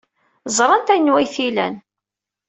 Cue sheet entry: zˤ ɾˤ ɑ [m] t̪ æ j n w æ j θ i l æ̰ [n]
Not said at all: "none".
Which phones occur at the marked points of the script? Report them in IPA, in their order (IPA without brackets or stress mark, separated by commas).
n, n